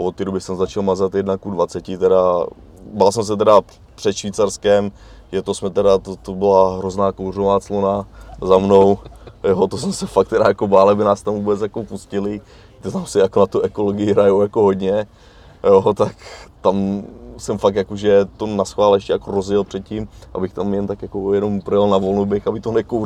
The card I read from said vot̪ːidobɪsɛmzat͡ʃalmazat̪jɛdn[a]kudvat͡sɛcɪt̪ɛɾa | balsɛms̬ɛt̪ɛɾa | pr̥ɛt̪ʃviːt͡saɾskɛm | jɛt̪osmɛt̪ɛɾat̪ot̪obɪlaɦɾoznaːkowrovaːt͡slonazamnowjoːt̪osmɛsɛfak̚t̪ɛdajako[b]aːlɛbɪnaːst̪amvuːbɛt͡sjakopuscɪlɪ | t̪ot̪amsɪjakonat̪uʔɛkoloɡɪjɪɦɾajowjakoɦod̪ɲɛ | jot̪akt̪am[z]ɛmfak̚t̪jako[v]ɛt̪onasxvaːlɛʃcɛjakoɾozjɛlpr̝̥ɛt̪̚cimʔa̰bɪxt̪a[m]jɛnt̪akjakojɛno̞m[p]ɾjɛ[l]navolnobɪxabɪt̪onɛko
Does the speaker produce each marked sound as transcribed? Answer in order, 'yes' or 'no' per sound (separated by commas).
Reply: yes, yes, no, no, yes, yes, yes